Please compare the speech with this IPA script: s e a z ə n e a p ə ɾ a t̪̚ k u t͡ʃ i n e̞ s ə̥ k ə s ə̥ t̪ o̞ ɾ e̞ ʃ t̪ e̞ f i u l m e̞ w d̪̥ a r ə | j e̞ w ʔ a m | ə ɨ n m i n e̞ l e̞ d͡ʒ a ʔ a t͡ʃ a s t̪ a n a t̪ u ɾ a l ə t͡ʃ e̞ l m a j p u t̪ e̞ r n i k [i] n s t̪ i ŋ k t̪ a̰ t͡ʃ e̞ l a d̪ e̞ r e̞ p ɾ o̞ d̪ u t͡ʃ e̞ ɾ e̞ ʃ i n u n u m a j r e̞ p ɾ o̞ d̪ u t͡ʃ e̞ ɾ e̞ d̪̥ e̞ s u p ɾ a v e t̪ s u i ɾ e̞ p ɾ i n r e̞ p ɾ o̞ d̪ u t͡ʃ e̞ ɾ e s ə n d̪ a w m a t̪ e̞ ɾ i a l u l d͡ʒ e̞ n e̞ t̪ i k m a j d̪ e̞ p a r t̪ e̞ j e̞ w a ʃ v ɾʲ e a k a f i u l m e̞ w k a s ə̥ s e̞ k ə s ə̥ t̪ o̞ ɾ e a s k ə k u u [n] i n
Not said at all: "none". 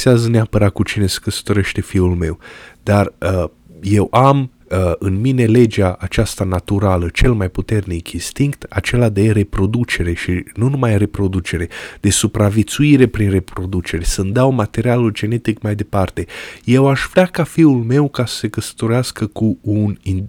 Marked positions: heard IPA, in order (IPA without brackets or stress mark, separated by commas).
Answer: i, n